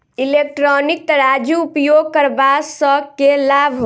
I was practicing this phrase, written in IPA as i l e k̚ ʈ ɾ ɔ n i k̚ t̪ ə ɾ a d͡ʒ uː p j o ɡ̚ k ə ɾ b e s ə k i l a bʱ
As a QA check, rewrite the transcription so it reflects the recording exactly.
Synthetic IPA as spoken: i l e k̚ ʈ ɾ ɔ n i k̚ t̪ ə ɾ a d͡ʒ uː p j o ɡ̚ k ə ɾ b a s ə k e l a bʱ